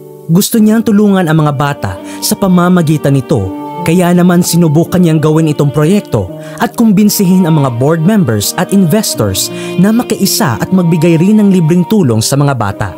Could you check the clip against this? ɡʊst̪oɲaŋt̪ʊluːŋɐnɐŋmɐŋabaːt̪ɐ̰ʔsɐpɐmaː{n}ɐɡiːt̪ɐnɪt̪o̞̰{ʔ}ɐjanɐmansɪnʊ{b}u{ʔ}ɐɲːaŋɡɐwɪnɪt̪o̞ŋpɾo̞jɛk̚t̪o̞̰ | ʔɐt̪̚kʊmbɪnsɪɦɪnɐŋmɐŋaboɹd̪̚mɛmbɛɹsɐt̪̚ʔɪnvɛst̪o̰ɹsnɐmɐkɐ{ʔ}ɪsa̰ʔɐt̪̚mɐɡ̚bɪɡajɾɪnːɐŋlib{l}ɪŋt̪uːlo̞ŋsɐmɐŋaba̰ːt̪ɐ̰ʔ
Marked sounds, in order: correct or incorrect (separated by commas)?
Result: incorrect, incorrect, correct, incorrect, correct, incorrect